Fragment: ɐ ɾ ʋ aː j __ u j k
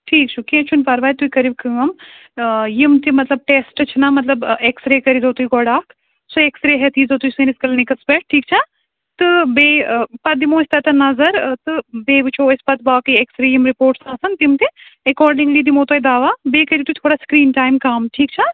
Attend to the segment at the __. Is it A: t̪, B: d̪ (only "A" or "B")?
A